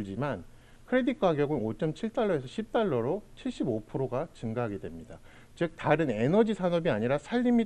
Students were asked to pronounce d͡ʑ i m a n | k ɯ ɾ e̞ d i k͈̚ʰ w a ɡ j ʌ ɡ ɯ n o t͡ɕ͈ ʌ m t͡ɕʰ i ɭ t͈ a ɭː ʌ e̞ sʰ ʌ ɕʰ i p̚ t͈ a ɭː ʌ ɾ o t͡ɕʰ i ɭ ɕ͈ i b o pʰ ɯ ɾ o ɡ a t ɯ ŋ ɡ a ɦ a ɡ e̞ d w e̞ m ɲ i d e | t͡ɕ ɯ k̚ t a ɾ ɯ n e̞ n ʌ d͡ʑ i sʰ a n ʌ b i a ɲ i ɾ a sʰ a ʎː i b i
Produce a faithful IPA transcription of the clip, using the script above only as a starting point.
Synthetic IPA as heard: d͡ʑ i m a n | kʰ ɯ ɾ e̞ d i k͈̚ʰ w a ɡ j ʌ ɡ ɯ n o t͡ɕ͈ ʌ m t͡ɕʰ i ɭ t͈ a ɭː ʌ e̞ sʰ ʌ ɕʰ i p̚ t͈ a ɭː ʌ ɾ o t͡ɕʰ i ɭ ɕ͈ i b o pʰ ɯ ɾ o ɡ a t͡ɕ ɯ ŋ ɡ a ɦ a ɡ e̞ d w e̞ m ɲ i d a | t͡ɕ ɯ k̚ t a ɾ ɯ n e̞ n ʌ d͡ʑ i sʰ a n ʌ b i a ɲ i ɾ a sʰ a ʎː i m i